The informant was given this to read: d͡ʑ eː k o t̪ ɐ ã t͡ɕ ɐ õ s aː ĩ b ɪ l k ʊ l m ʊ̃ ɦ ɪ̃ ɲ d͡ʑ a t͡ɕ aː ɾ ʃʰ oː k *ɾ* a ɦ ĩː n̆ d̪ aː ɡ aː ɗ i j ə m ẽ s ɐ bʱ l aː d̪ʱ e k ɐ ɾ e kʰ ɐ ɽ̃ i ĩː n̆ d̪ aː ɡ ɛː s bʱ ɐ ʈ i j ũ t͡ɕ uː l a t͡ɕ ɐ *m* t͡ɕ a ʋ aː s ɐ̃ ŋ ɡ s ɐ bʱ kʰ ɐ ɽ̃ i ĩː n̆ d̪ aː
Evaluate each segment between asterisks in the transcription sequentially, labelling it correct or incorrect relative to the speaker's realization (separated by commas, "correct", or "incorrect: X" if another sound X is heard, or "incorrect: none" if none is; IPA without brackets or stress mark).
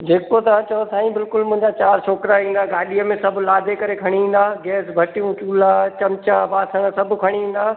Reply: correct, correct